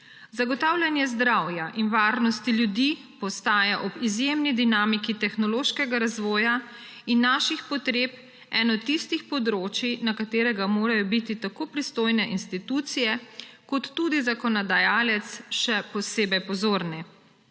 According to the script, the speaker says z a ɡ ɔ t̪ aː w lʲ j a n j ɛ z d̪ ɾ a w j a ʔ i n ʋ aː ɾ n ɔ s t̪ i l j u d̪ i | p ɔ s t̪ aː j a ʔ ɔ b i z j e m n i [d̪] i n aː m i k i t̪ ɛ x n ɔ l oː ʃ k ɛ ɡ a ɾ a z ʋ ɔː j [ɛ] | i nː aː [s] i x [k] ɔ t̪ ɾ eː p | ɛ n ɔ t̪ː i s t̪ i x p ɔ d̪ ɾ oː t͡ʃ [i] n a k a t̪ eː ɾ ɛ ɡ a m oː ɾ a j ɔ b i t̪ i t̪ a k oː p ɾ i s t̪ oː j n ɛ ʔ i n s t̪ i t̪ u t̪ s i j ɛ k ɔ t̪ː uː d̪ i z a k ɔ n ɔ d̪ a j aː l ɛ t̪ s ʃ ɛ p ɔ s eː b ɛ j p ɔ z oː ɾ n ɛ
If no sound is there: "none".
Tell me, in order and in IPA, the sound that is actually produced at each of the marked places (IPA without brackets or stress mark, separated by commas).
d̪, a, ʃ, p, i